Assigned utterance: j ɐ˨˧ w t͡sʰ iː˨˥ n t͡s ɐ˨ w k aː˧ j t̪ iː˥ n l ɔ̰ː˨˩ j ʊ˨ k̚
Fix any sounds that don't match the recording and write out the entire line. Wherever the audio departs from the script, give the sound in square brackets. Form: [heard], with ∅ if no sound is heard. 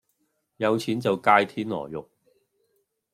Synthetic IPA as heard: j ɐ˨˧ w t͡sʰ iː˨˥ n t͡s ɐ˨ w k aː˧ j [t̪ʰ] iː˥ n l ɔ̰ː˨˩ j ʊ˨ k̚